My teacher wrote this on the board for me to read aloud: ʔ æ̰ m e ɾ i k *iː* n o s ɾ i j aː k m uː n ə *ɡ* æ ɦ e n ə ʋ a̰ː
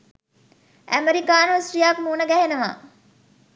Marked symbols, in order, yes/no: no, yes

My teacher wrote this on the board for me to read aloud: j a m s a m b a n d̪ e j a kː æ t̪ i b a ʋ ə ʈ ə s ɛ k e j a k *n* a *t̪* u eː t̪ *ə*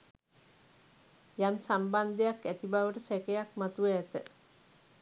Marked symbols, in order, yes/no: no, yes, yes

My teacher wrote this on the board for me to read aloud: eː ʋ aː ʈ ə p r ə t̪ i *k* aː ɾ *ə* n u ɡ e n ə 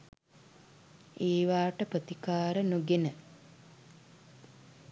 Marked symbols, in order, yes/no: yes, yes

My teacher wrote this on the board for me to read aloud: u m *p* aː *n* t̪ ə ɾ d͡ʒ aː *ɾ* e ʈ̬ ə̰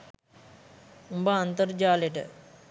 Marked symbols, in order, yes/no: no, yes, no

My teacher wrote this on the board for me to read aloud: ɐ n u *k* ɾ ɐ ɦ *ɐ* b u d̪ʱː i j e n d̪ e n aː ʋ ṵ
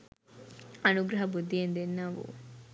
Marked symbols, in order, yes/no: no, yes

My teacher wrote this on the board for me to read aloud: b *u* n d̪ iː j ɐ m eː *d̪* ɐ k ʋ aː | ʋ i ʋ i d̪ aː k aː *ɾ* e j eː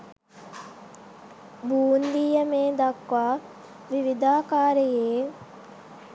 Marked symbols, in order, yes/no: no, yes, yes

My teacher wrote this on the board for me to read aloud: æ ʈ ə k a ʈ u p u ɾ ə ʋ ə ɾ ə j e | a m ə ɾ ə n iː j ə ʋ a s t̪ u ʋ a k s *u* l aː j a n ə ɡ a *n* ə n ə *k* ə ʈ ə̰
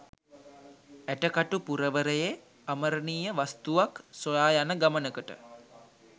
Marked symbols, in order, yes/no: no, no, yes

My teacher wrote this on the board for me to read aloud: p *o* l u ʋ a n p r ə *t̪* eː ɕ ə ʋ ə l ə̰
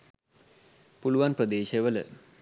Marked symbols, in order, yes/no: no, no

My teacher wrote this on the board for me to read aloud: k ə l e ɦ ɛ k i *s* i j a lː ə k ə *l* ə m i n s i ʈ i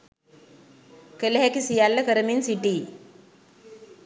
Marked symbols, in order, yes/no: yes, no

